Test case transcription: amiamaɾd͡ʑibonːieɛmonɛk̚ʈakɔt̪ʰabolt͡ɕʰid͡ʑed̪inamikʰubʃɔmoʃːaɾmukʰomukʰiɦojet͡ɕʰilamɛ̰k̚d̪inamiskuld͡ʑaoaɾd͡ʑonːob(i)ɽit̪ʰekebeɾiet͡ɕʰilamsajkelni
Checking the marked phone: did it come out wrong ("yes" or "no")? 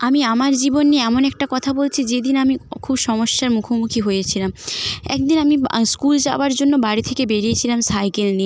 yes